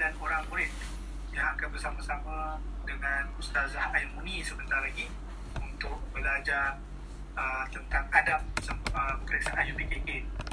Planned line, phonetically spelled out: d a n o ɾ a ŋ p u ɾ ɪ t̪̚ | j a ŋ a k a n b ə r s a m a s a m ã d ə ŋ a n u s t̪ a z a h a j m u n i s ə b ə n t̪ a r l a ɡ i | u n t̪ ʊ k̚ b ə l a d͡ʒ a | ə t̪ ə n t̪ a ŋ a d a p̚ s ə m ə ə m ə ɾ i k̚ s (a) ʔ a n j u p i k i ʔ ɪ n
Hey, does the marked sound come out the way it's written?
yes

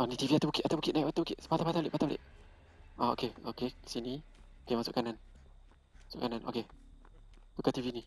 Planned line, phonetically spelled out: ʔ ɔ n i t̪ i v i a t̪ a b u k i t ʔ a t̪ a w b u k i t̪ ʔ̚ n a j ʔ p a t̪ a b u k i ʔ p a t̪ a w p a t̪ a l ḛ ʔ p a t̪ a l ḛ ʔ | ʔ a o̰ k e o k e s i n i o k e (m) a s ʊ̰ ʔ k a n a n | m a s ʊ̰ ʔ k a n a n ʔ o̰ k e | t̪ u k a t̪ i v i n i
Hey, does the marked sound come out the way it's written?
yes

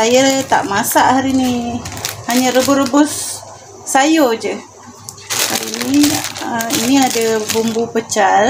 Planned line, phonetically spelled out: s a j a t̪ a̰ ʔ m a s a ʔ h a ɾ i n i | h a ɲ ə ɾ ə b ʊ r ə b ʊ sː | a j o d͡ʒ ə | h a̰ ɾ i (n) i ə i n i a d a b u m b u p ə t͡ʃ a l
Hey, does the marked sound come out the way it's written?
yes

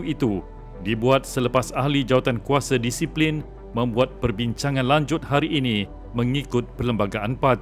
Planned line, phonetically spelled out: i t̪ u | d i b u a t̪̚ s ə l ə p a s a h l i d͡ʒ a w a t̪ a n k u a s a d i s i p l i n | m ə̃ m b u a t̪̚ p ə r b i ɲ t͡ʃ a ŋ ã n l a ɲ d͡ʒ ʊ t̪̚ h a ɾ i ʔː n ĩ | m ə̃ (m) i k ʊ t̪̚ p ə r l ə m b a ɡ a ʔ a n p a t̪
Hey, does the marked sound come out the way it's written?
no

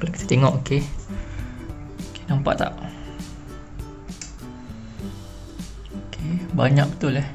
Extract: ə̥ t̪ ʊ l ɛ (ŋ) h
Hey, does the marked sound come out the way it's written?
no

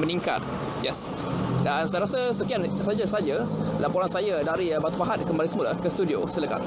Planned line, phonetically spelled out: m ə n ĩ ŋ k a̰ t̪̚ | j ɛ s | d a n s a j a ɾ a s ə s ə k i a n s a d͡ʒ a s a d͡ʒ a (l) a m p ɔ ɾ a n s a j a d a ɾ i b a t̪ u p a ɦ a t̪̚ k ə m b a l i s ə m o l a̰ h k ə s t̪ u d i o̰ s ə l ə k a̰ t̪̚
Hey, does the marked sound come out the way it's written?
yes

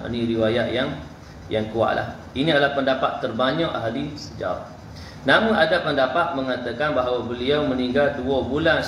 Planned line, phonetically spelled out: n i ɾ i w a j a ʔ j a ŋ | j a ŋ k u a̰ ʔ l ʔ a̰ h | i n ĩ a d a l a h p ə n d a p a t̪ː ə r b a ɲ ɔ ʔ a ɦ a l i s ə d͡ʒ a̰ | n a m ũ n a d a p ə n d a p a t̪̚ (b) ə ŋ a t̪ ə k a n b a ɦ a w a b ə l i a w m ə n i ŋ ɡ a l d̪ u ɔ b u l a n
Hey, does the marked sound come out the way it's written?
no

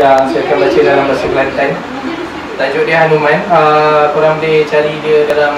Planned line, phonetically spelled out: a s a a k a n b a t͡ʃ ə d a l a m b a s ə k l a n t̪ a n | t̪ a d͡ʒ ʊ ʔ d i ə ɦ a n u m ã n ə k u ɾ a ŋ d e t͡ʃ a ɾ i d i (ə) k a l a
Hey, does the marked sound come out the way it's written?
yes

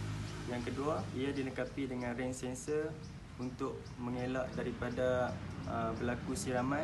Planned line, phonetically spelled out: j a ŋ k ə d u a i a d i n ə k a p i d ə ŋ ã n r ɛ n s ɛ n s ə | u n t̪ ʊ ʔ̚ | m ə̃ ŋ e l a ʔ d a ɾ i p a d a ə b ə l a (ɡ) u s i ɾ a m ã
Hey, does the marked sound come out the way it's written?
no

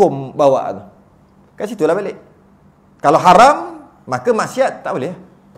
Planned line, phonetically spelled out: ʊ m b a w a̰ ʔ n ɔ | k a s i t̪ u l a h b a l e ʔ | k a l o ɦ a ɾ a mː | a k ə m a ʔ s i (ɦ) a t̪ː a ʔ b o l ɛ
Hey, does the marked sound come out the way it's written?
no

